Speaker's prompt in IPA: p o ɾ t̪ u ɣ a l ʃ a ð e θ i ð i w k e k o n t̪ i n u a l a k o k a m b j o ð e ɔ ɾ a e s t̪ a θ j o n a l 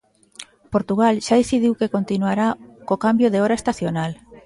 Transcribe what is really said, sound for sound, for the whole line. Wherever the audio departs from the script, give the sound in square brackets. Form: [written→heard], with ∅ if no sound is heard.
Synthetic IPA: p o ɾ t̪ u ɣ a l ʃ a ð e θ i ð i w k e k o n t̪ i n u a [l→ɾ] a k o k a m b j o ð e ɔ ɾ a e s t̪ a θ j o n a l